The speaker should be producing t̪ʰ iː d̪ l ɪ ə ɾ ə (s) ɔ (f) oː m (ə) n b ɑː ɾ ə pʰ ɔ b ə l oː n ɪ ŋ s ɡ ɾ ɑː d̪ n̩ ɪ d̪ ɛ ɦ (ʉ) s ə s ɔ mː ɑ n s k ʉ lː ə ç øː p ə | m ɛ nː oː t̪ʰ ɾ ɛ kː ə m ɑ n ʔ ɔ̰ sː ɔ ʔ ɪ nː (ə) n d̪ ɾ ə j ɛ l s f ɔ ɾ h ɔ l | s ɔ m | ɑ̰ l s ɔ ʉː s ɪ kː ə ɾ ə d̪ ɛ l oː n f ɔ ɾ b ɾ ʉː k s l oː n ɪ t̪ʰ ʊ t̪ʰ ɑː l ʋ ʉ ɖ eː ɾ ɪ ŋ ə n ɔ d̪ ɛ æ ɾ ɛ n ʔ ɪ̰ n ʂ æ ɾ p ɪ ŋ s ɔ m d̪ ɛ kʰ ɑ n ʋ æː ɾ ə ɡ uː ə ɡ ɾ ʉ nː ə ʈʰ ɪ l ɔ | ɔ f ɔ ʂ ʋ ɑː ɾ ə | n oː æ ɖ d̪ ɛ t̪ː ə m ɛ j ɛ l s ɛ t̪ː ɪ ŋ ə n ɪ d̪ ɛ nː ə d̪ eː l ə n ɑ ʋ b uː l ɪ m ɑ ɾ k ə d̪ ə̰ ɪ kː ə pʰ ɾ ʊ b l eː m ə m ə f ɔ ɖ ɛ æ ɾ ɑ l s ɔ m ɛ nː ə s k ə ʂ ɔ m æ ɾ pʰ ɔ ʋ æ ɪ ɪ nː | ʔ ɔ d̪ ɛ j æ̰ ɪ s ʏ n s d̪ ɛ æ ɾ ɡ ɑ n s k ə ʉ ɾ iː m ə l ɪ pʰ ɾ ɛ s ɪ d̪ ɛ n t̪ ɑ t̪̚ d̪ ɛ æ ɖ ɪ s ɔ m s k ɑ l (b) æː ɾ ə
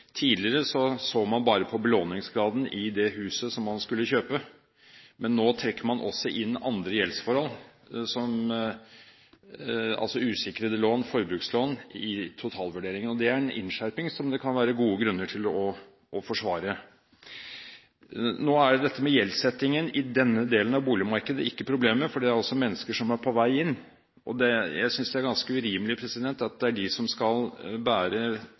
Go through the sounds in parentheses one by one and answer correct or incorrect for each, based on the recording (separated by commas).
correct, incorrect, incorrect, incorrect, incorrect, correct